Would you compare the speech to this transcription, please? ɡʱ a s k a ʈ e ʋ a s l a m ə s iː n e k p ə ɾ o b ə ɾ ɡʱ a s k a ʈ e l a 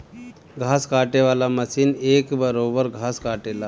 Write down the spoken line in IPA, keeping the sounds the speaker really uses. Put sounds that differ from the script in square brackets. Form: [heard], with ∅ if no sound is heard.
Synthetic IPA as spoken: ɡʱ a s k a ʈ e ʋ a [∅] l a m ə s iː n e k [b] ə ɾ o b ə ɾ ɡʱ a s k a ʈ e l a